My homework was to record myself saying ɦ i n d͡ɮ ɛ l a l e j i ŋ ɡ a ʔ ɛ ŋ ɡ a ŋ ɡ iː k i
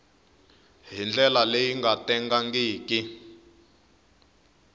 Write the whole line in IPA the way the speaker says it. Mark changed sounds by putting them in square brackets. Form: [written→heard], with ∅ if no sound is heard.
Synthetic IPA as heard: ɦ i n d͡ɮ ɛ l a l e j i ŋ ɡ a [ʔ→t] ɛ ŋ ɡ a ŋ ɡ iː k i